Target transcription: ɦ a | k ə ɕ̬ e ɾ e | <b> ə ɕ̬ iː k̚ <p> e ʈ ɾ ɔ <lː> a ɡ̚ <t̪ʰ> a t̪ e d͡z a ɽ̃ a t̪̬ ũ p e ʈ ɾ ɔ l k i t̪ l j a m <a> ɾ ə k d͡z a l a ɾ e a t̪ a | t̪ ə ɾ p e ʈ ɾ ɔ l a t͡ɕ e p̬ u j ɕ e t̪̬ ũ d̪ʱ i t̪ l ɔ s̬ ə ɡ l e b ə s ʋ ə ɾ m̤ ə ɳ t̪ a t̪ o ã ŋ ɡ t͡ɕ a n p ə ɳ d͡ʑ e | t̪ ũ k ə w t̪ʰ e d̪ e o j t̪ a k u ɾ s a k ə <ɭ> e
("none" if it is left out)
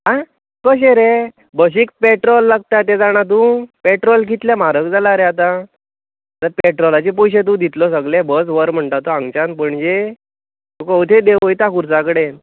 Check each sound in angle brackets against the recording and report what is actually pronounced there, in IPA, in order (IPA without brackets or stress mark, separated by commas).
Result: b, p, lː, t̪, a, ɽ